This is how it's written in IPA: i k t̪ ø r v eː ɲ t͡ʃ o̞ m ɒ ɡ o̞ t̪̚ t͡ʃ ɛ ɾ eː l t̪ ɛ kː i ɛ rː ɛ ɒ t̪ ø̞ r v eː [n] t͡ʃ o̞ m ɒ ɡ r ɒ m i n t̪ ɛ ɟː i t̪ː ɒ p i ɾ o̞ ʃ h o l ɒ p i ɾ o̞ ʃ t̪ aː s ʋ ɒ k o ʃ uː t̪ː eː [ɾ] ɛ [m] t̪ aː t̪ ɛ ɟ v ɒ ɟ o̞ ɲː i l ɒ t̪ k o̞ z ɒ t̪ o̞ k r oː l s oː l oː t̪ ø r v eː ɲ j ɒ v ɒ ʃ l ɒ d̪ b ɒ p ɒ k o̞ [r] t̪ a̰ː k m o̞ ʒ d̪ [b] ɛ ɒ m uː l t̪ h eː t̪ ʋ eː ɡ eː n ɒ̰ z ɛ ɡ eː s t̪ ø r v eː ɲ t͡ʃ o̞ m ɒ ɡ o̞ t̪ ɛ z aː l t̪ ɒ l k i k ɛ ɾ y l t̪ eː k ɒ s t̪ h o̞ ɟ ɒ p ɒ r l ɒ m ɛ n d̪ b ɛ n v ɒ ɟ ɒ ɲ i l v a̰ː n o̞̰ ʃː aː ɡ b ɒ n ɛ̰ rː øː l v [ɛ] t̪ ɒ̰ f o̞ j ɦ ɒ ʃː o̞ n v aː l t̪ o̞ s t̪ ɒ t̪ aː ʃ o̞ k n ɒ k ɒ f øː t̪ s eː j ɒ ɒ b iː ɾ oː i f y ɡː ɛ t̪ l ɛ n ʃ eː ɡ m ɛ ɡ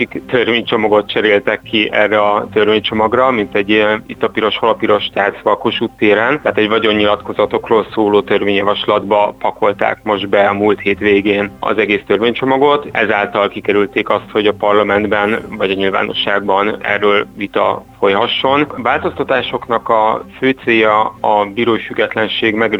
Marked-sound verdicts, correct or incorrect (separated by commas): incorrect, correct, incorrect, incorrect, correct, incorrect